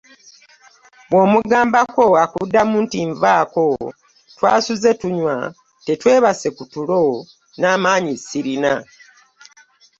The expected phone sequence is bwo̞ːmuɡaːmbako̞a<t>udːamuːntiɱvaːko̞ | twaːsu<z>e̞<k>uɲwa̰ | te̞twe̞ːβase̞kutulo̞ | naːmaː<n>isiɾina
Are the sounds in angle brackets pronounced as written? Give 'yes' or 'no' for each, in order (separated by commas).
no, yes, no, no